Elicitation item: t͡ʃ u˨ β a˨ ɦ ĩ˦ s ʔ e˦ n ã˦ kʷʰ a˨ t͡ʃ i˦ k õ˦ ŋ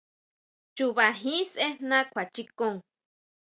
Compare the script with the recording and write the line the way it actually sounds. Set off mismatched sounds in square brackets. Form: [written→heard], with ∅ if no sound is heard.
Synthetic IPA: t͡ʃ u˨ β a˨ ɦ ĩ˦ s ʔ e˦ n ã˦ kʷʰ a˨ t͡ʃ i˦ k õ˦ ŋ